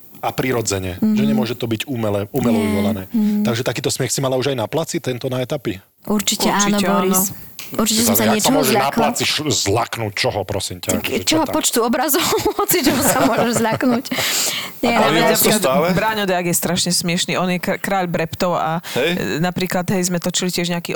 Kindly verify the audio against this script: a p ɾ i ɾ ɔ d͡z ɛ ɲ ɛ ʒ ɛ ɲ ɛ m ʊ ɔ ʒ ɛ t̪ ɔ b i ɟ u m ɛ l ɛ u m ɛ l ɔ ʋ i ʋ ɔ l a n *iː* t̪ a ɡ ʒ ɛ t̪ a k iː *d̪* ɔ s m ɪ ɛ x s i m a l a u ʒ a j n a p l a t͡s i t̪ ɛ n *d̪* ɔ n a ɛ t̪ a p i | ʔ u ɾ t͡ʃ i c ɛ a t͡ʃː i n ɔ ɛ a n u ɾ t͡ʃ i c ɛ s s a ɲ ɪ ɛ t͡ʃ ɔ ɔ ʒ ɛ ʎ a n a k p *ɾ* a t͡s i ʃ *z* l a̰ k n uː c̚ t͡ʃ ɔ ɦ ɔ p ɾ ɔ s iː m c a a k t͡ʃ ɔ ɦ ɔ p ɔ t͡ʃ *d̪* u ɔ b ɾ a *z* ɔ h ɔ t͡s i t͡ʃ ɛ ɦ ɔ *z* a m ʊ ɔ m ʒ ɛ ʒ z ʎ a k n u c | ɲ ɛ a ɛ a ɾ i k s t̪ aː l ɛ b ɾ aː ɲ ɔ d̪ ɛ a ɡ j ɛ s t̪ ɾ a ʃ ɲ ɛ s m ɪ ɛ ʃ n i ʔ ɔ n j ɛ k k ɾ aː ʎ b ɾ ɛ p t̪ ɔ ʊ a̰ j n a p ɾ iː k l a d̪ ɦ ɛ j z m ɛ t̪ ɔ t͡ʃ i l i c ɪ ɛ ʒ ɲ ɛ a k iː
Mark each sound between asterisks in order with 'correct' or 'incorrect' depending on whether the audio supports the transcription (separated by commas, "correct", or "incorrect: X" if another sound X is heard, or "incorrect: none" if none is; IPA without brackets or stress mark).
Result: incorrect: ɛː, incorrect: t̪, incorrect: t̪, incorrect: l, correct, incorrect: t̪, correct, incorrect: s